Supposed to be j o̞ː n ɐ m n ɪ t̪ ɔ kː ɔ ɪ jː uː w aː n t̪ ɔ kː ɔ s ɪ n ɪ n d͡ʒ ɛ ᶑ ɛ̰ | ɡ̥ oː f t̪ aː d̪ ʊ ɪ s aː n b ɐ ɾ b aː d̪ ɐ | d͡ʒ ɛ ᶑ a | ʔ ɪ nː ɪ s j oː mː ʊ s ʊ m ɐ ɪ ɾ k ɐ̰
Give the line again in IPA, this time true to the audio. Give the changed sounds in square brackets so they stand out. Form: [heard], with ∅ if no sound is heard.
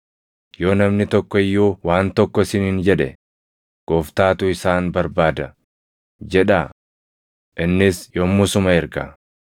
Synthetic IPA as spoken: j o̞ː n ɐ m n ɪ t̪ ɔ kː ɔ ɪ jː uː w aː n t̪ ɔ kː ɔ s ɪ n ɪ n d͡ʒ ɛ ᶑ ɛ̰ | ɡ̥ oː f t̪ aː [t̪] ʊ ɪ s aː n b ɐ ɾ b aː d̪ ɐ | d͡ʒ ɛ ᶑ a | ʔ ɪ nː ɪ s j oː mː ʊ s ʊ m ɐ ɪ ɾ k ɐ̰